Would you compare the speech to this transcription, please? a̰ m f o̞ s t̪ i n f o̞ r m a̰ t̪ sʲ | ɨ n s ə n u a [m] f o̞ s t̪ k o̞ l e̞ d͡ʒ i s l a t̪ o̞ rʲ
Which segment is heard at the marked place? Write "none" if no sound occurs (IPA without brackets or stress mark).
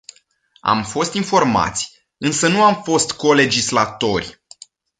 m